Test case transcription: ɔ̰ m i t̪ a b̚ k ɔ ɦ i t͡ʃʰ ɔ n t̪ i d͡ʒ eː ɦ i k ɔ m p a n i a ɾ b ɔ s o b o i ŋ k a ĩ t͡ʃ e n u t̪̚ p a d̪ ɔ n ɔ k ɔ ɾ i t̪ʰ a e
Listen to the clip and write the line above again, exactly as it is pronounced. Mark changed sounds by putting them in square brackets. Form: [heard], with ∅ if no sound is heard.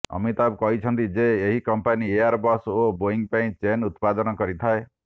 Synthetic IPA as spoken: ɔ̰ m i t̪ a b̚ k ɔ ɦ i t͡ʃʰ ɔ n t̪ i d͡ʒ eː ɦ i k ɔ m p a n i a ɾ b ɔ s o b o i ŋ [p] a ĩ t͡ʃ e n u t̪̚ p a d̪ ɔ n ɔ k ɔ ɾ i t̪ʰ a e